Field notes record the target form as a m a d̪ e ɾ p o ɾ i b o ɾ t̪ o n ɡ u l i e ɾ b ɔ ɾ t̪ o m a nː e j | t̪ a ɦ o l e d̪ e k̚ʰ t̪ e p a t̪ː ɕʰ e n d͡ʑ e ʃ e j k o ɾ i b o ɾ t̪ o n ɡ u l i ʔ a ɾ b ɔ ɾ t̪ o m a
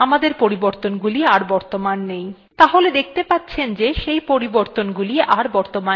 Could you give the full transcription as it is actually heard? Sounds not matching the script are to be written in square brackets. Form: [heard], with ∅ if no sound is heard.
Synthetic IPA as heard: a m a d̪ e ɾ p o ɾ i b o ɾ t̪ o n ɡ u l i [a] ɾ b ɔ ɾ t̪ o m a nː e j | t̪ a ɦ o l e d̪ e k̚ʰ t̪ e p a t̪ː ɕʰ e n d͡ʑ e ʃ e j [p] o ɾ i b o ɾ t̪ o n ɡ u l i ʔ a ɾ b ɔ ɾ t̪ o m a